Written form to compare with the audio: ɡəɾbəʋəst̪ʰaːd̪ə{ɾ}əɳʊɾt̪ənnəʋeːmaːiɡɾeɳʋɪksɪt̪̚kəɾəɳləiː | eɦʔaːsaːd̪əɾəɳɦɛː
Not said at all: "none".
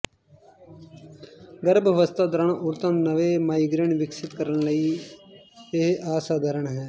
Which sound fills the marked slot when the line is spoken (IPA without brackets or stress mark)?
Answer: ɾ